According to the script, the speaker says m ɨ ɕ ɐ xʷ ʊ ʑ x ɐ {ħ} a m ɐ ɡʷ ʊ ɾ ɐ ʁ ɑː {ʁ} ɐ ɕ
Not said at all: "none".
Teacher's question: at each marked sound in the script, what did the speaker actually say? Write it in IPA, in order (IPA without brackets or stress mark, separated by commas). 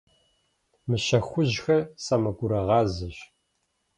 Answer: s, z